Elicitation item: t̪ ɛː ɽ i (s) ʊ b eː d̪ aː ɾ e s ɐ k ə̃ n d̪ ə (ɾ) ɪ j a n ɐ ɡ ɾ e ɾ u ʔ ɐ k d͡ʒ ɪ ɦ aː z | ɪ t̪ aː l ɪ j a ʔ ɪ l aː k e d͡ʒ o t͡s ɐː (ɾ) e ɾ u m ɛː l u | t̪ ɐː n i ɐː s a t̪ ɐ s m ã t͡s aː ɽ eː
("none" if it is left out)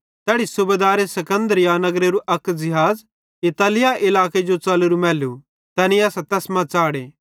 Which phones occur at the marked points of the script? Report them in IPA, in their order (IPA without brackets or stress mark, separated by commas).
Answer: s, ɾ, l